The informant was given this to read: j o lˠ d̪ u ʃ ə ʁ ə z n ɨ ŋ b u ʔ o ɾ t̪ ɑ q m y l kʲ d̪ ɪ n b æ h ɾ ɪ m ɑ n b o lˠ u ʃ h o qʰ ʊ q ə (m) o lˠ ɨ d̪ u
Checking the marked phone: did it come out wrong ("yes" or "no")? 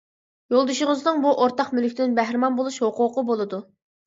yes